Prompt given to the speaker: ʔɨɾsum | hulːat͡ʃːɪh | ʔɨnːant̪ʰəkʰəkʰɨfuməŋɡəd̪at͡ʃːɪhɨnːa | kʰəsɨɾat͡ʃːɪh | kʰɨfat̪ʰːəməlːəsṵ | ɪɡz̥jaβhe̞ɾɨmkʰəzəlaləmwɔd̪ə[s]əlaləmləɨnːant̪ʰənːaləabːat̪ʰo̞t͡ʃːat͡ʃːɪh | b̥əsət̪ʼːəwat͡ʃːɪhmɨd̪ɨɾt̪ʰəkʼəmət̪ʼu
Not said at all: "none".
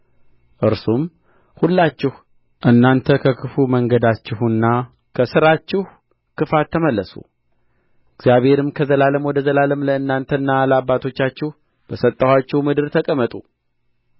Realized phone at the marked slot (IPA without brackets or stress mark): z